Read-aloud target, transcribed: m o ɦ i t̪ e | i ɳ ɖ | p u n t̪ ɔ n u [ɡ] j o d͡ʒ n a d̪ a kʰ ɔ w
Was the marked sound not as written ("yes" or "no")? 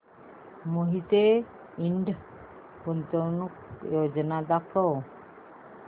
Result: yes